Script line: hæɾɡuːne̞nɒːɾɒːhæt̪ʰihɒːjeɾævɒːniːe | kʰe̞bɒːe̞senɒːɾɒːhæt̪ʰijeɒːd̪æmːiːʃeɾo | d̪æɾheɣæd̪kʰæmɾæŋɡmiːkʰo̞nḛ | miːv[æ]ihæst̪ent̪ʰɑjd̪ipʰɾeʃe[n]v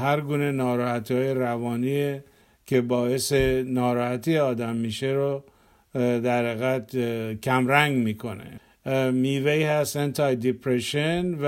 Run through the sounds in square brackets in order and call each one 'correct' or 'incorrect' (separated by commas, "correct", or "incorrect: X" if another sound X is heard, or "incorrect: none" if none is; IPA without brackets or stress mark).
incorrect: e, correct